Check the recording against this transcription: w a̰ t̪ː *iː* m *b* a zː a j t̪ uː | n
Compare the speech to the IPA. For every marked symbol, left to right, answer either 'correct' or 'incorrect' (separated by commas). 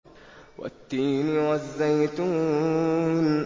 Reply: correct, incorrect